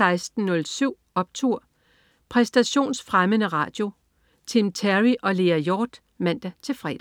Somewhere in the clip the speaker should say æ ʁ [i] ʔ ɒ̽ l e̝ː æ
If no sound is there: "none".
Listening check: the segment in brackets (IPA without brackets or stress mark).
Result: i